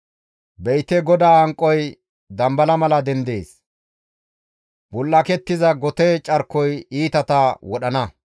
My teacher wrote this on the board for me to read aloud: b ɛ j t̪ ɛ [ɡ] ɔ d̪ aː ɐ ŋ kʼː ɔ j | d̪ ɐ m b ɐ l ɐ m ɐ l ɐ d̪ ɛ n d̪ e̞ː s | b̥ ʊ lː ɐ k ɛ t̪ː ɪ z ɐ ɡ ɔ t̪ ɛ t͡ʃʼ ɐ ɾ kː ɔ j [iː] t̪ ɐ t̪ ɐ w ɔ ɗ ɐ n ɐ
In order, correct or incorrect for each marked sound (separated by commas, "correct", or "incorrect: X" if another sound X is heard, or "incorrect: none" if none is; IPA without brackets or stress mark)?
correct, correct